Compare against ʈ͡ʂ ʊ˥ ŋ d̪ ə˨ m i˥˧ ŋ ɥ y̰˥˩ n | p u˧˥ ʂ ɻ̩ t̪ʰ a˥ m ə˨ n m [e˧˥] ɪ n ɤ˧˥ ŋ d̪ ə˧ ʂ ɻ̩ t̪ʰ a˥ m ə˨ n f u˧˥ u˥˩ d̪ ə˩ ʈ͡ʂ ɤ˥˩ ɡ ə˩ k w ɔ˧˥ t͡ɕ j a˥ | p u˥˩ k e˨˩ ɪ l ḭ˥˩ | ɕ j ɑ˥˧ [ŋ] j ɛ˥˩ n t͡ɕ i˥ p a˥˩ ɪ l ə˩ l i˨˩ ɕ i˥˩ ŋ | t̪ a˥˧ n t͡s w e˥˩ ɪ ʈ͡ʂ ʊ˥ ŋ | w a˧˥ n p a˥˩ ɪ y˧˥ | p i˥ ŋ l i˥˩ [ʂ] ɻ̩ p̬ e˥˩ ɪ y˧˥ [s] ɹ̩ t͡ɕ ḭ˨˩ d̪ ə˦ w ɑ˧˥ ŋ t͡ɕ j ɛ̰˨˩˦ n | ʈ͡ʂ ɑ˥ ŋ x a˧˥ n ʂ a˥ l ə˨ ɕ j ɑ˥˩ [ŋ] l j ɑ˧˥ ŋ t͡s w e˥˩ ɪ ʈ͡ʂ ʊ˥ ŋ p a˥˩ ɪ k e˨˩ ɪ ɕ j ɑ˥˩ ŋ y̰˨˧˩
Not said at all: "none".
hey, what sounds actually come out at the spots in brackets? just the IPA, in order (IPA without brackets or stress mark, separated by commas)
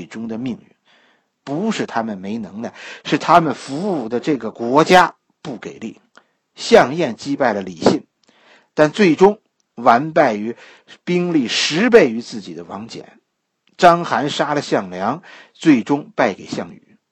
e˧˥, ŋ, ʂ, t͡s, ŋ